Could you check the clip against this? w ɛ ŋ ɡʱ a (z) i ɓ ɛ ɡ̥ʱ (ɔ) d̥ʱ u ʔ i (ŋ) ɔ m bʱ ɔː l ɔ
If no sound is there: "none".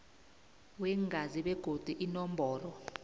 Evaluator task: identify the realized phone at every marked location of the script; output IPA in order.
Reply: z, o, n

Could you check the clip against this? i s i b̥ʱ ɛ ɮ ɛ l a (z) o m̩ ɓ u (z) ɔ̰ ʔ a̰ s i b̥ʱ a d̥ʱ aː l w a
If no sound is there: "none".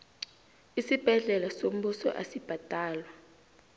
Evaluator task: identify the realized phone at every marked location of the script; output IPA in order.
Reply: s, s

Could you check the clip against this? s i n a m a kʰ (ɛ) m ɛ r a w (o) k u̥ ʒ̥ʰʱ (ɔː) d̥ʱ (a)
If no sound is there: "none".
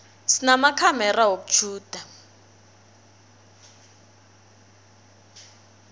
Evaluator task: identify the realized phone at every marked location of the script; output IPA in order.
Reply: a, o, uː, a

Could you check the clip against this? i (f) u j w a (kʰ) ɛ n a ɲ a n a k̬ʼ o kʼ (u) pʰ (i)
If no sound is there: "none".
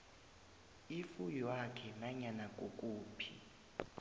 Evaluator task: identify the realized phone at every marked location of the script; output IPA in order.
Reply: f, kʰ, uː, i

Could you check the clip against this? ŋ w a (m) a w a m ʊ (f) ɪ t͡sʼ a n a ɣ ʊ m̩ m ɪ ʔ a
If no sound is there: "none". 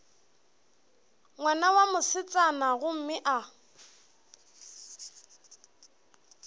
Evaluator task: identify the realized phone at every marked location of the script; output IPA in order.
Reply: n, s

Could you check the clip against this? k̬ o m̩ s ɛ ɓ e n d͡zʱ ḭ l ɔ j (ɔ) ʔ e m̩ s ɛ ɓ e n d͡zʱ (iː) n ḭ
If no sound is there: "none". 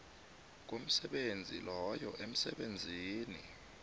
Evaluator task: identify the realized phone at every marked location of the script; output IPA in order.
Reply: ɔ, iː

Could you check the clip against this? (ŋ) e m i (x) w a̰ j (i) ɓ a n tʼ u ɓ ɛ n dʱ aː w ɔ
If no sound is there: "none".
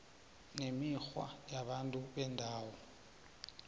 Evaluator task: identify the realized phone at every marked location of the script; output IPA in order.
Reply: n, x, a

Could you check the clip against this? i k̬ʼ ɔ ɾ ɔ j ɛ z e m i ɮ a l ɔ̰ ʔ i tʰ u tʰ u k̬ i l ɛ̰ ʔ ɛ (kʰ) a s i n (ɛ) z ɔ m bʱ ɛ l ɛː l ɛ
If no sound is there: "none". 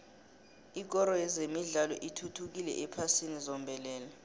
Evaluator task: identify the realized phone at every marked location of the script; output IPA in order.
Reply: pʰ, i

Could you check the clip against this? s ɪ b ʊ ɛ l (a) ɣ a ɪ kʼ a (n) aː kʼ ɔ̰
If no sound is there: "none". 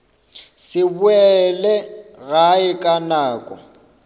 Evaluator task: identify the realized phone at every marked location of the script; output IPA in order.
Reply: ɛ, n

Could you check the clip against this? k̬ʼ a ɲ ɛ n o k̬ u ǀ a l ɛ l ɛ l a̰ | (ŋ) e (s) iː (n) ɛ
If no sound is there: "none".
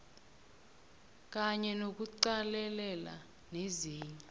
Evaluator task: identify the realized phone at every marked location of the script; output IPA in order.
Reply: n, z, ɲ

